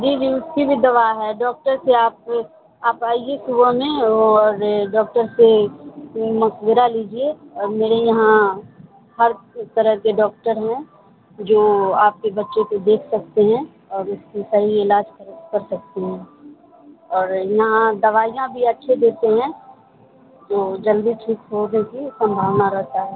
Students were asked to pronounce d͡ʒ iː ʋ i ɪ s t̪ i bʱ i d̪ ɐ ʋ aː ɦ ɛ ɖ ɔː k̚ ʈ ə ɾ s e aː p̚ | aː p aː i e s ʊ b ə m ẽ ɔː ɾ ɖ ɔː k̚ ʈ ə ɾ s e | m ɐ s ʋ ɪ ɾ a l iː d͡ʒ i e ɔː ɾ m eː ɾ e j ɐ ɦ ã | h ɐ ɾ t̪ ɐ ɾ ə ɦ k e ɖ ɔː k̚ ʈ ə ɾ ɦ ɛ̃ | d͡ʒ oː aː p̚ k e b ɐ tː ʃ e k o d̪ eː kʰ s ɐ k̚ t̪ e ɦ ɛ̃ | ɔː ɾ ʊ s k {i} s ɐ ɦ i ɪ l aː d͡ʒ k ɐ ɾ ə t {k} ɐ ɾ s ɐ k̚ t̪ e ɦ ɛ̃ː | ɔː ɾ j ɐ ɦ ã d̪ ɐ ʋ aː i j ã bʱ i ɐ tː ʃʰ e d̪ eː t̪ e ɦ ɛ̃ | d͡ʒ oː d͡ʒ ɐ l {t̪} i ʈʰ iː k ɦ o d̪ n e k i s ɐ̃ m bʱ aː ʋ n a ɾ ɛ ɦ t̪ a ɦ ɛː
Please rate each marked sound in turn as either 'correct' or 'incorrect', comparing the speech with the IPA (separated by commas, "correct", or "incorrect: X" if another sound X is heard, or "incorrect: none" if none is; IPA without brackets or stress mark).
correct, correct, incorrect: d̪